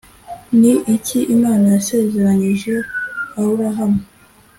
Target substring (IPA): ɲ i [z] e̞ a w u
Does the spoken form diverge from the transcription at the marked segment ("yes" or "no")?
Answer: yes